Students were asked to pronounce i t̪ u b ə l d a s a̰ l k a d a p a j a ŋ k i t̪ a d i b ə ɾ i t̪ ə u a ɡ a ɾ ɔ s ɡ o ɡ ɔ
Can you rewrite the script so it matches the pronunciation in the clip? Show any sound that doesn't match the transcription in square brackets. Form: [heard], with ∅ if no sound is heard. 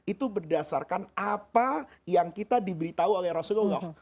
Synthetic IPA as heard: i t̪ u b ə [r] d a s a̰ [r] k a [n] a p a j a ŋ k i t̪ a d i b ə ɾ i t̪ [a] u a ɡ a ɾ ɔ s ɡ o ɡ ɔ